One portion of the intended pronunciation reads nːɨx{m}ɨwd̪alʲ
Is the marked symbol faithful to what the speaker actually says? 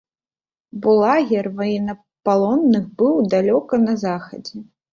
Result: no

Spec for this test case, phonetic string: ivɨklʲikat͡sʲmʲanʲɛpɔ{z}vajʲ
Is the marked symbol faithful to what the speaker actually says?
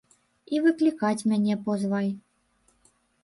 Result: yes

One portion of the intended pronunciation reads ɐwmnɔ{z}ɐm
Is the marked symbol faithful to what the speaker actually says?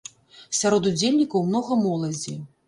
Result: no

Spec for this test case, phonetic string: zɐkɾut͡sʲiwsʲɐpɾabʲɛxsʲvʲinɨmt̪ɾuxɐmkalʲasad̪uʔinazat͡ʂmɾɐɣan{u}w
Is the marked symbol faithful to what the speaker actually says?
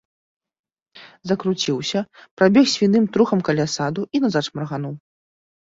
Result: yes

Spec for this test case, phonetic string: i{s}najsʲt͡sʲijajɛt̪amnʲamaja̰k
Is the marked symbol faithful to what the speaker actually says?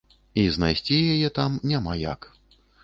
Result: no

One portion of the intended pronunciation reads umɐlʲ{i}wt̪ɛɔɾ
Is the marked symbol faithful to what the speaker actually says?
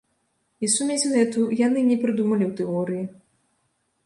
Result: yes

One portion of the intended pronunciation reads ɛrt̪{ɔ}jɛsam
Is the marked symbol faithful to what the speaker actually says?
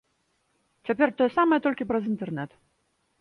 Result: yes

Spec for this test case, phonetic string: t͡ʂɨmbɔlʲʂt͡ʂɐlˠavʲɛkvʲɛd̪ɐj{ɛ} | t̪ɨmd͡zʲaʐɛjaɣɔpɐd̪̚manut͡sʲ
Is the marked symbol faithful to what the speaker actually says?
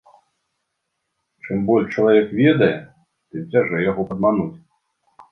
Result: yes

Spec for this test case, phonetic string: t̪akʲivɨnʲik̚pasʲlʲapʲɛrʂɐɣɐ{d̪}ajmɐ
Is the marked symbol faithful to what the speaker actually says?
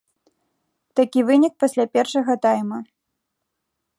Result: no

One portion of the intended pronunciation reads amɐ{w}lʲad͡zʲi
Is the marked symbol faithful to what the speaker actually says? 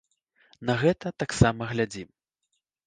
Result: no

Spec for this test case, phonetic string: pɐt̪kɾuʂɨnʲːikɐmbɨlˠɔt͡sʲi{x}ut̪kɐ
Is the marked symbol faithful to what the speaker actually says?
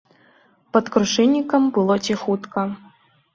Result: yes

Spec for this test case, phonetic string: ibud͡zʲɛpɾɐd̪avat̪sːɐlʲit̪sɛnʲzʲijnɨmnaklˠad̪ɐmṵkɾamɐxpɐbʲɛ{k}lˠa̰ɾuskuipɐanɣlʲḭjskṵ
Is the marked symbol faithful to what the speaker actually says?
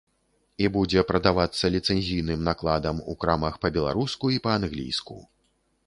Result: no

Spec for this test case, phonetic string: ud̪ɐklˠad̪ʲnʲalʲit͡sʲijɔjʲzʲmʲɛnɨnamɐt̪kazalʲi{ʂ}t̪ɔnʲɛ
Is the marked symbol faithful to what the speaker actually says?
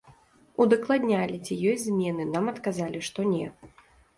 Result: yes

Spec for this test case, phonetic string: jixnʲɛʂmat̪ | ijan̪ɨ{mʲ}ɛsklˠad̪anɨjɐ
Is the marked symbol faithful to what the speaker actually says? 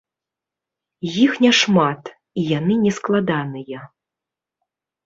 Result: no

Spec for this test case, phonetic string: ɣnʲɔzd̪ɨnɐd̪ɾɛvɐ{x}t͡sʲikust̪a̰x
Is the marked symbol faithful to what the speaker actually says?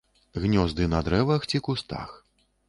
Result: yes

